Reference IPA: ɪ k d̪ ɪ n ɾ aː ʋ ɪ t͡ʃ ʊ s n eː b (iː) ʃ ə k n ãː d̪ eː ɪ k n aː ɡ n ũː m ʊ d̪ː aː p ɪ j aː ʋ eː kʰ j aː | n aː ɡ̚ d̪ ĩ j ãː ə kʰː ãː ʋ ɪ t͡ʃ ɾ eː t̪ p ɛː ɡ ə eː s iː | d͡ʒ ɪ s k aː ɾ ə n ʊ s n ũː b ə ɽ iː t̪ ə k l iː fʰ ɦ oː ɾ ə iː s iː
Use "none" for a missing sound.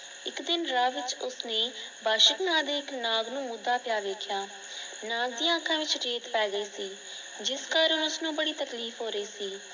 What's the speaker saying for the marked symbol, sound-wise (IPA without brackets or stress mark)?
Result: aː